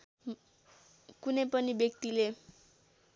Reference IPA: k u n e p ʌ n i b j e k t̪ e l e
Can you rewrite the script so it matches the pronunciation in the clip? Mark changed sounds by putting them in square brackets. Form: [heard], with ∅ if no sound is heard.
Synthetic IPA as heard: k u n e p ʌ n i b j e k t̪ [i] l e